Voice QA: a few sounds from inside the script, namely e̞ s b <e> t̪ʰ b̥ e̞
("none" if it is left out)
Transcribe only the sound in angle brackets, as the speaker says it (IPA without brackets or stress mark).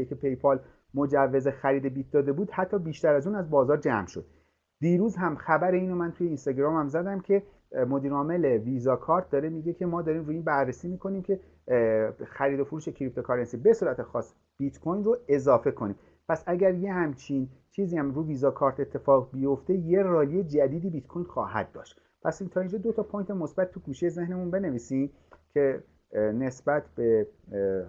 æ